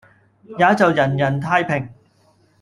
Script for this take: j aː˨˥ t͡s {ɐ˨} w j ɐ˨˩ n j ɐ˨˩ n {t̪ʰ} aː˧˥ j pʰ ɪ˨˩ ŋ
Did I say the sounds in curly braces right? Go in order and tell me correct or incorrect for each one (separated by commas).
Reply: correct, correct